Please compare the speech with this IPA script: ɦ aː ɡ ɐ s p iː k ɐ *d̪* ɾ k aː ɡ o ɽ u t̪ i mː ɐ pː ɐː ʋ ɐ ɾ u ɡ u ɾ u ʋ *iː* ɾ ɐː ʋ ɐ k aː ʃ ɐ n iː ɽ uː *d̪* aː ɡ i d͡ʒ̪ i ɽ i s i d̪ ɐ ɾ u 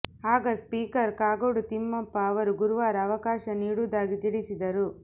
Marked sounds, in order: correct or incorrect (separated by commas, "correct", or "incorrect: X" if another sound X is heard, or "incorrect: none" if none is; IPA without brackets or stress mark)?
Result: incorrect: none, incorrect: aː, correct